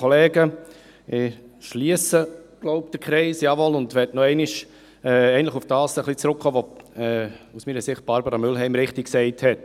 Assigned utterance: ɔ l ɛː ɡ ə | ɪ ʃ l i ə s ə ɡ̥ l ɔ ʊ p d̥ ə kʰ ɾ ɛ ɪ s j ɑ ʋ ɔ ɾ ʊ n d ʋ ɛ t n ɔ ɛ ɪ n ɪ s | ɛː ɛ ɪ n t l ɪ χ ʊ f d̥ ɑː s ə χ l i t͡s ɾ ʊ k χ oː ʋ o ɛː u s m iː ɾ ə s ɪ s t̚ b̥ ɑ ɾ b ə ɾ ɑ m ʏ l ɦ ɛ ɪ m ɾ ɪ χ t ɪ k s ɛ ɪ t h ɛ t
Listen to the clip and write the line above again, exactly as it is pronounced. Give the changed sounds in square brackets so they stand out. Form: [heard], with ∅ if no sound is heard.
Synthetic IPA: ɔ l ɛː ɡ ə | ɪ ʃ l i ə s ə ɡ̥ l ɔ ʊ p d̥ ə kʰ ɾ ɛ ɪ s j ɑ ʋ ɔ [l] ʊ n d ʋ ɛ t n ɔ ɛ ɪ n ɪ [ʃ] | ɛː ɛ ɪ n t l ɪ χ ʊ f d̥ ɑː s ə χ l i t͡s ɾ ʊ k χ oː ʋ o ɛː u s m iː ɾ ə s ɪ [χ] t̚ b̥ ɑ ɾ b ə ɾ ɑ m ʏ l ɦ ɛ ɪ m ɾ ɪ χ t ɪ k s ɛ ɪ t h ɛ t